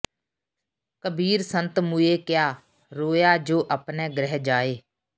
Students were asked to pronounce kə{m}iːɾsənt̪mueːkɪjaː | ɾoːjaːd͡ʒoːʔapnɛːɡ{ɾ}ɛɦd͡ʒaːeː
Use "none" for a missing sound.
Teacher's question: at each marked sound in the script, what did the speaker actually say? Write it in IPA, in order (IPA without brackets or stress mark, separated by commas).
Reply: b, ɾ